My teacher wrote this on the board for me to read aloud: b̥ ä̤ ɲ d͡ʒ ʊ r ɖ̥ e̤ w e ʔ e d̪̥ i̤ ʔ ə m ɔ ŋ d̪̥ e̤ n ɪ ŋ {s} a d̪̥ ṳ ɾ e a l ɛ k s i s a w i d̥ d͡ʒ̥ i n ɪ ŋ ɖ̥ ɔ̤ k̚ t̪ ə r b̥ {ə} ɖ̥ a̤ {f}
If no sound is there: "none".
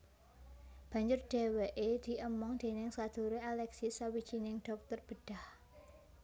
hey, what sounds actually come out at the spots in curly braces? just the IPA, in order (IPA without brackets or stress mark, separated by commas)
s, ə, h